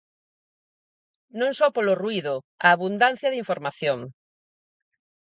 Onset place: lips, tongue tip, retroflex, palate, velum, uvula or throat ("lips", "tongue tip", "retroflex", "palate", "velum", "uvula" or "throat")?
tongue tip